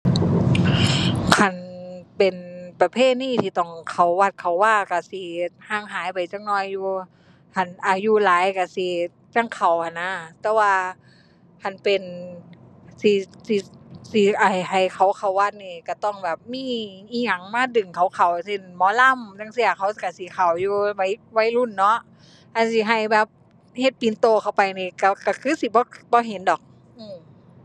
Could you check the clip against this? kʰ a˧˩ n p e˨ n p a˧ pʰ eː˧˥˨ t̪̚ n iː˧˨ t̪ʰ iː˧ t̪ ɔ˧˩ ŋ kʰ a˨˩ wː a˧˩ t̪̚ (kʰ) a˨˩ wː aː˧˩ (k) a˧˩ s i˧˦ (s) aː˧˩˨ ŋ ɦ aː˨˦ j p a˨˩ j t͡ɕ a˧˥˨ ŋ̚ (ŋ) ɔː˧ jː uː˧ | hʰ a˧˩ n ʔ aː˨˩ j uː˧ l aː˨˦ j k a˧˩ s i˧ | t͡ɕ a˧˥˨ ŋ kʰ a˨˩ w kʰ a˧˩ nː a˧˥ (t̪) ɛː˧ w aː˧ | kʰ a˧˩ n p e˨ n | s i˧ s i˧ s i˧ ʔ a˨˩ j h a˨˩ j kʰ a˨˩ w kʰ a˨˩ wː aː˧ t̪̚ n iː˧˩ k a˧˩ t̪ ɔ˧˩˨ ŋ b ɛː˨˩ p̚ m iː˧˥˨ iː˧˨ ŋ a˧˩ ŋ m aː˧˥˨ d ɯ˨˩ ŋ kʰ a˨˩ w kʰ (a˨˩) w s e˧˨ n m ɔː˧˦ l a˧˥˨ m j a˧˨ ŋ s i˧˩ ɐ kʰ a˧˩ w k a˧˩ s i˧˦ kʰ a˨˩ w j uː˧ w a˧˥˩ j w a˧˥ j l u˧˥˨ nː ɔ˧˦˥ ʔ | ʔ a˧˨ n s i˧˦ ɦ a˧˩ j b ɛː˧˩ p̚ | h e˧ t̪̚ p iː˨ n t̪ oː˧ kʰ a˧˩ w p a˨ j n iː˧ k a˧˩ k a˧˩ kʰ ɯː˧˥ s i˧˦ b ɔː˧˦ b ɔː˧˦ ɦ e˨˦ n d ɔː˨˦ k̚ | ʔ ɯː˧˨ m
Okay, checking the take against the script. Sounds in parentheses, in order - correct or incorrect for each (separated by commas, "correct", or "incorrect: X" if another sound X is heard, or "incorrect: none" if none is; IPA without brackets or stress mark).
correct, correct, incorrect: h, incorrect: n, correct, correct